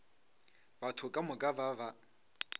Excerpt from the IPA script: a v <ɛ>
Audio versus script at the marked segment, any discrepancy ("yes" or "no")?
yes